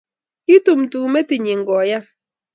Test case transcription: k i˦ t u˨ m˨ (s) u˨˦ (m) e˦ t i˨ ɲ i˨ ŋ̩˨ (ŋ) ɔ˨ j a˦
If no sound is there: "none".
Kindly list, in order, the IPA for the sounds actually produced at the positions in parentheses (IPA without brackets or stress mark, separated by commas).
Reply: t, m, ɡ